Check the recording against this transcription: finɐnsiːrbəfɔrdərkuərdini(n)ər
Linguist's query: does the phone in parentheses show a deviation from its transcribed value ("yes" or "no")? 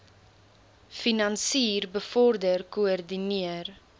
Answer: yes